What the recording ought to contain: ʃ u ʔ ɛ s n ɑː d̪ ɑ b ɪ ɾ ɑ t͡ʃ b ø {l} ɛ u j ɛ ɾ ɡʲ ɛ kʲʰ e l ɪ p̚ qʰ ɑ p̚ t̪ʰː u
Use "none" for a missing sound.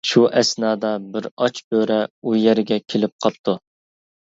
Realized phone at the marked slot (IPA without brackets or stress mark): ɾ